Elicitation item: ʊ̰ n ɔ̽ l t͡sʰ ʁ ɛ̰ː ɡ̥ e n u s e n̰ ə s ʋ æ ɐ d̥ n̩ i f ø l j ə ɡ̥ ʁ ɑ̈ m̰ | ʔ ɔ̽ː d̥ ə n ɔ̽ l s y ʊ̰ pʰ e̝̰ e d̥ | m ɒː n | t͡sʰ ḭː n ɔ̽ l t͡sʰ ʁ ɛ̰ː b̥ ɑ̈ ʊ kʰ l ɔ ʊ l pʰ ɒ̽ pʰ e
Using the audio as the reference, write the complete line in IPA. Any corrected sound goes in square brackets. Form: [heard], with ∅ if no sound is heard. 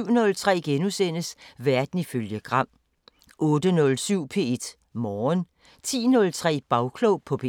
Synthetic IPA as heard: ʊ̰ n ɔ̽ l t͡sʰ ʁ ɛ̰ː ɡ̥ e n u s e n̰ ə s ʋ æ ɐ d̥ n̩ i f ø l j ə ɡ̥ ʁ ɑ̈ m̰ | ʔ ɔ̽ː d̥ ə n ɔ̽ l s y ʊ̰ pʰ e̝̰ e d̥ | m ɒː n | t͡sʰ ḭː n ɔ̽ l t͡sʰ ʁ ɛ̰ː b̥ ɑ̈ ʊ kʰ l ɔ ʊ [∅] pʰ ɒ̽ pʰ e